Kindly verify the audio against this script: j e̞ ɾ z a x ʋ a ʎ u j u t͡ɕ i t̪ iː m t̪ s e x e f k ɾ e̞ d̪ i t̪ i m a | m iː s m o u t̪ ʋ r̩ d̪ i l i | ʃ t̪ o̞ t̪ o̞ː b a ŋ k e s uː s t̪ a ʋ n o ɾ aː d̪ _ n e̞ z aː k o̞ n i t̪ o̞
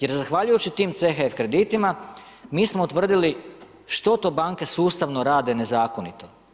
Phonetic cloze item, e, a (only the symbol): e